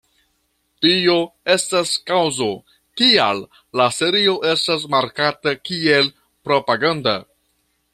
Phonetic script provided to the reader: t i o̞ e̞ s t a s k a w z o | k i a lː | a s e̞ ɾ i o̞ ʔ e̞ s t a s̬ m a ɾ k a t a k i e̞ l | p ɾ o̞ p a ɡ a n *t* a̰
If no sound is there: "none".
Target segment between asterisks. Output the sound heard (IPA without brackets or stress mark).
d